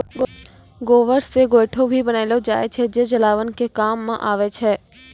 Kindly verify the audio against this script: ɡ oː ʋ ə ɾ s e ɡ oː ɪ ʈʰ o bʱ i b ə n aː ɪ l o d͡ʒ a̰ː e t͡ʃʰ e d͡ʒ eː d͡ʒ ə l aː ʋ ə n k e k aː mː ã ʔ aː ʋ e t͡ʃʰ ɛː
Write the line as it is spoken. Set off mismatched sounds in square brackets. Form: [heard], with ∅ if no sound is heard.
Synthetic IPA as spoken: ɡ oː ʋ ə ɾ s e ɡ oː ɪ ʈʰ o bʱ i b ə n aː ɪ l o d͡ʒ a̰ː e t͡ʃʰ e d͡ʒ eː d͡ʒ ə l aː ʋ ə n k e k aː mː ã ʔ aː ʋ e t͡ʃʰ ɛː